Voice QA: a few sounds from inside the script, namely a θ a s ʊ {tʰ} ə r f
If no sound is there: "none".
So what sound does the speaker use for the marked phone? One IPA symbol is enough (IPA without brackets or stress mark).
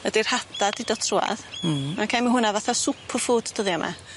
pʰ